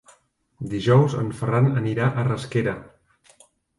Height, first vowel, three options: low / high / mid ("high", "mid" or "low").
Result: high